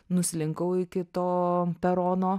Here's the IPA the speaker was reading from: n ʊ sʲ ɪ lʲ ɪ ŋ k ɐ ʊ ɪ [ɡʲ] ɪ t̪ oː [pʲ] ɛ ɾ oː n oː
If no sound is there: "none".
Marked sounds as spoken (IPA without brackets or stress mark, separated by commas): kʲ, pʲ